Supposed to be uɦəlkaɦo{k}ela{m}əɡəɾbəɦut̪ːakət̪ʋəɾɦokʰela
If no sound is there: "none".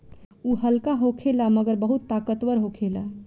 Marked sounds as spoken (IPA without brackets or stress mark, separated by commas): kʰ, m